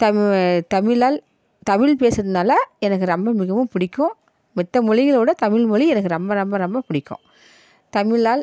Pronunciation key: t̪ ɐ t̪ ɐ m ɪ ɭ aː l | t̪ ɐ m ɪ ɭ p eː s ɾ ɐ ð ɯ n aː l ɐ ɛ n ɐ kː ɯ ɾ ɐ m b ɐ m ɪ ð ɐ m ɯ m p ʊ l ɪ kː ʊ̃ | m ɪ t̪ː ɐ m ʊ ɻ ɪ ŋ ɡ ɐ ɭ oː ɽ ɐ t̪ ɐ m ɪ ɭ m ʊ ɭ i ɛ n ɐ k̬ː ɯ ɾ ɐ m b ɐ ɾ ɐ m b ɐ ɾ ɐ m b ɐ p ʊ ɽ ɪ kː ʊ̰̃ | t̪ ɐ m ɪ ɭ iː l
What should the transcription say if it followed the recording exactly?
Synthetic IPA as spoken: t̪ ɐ t̪ ɐ m ɪ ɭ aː l | t̪ ɐ m ɪ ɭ p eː s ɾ ɐ ð ɯ n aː l ɐ ɛ n ɐ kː ɯ ɾ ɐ m b ɐ m ɪ ɣ ɐ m ɯ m p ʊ ɽ ɪ kː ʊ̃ | m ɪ t̪ː ɐ m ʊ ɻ ɪ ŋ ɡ ɐ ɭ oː ɽ ɐ t̪ ɐ m ɪ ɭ m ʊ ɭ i ɛ n ɐ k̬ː ɯ ɾ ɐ m b ɐ ɾ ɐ m b ɐ ɾ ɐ m b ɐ p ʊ ɽ ɪ kː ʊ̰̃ | t̪ ɐ m ɪ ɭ aː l